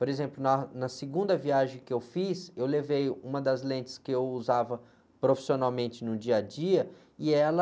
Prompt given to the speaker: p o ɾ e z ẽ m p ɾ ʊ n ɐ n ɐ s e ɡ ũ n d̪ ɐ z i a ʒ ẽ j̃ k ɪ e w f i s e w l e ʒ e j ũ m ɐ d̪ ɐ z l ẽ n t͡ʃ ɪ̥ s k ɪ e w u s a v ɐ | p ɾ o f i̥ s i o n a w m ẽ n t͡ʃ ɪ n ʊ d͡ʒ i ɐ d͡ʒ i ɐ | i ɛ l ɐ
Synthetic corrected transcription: p o ɾ e z ẽ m p l ʊ n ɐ n ɐ s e ɡ ũ n d̪ ɐ v i a ʒ ẽ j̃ k ɪ e w f i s e w l e v e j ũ m ɐ d̪ ɐ z l ẽ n t͡ʃ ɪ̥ s k ɪ e w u z a v ɐ | p ɾ o f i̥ s i o n a w m ẽ n t͡ʃ ɪ n ʊ d͡ʒ i ɐ d͡ʒ i ɐ | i ɛ l ɐ

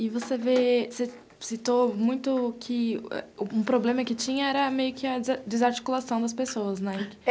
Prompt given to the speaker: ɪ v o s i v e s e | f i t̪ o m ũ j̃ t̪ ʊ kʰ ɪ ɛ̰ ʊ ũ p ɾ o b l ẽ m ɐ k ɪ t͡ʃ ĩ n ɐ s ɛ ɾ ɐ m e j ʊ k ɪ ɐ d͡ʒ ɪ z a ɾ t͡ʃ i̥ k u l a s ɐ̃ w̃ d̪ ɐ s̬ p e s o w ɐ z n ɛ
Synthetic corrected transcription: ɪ v o s e v e s e | s i t̪ o m ũ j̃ t̪ ʊ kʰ ɪ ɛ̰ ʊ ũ p ɾ o b l ẽ m ɐ k ɪ t͡ʃ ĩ ɲ ɐ ɛ ɾ ɐ m e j ʊ k ɪ ɐ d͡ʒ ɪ z a ɾ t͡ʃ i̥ k u l a s ɐ̃ w̃ d̪ ɐ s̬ p e s o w ɐ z n ɛ

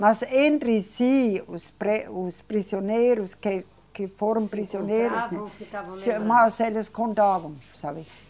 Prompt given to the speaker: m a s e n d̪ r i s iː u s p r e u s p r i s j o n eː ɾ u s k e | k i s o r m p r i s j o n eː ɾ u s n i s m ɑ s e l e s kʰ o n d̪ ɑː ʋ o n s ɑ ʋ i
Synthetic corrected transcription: m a s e n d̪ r i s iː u s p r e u s p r i s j o n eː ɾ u s k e | k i f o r m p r i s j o n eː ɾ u s n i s m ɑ s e l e s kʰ o n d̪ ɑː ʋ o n s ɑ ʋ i

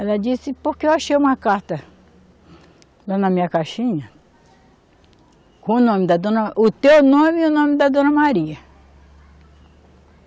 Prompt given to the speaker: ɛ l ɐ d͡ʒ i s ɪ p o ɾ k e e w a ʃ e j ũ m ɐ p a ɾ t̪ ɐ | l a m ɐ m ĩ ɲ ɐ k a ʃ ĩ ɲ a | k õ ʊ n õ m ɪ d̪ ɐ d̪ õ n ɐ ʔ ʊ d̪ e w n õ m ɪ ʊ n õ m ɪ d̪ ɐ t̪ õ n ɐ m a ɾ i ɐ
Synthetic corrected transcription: ɛ l ɐ d͡ʒ i s ɪ p o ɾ k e e w a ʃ e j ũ m ɐ k a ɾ t̪ ɐ | l a n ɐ m ĩ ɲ ɐ k a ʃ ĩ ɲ ɐ | k õ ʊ n õ m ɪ d̪ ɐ d̪ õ n ɐ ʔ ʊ t̪ e w n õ m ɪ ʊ n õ m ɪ d̪ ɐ d̪ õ n ɐ m a ɾ i ɐ

